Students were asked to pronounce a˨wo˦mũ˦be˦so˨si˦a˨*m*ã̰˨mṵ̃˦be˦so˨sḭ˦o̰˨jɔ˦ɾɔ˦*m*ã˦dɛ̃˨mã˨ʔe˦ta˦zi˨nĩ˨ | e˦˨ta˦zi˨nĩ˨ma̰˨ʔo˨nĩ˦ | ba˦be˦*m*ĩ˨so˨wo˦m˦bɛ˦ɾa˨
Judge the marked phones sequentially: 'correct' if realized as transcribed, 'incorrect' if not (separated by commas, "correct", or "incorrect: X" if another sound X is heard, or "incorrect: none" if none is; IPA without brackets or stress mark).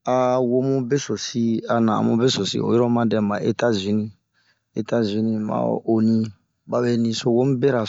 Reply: incorrect: n, correct, incorrect: n